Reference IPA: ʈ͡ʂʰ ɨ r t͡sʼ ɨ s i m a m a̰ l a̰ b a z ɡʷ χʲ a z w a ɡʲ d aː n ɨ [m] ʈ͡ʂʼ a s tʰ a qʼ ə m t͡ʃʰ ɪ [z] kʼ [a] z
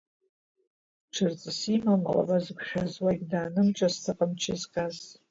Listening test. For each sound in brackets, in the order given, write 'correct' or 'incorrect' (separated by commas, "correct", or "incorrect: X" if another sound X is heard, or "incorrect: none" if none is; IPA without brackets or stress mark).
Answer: correct, correct, correct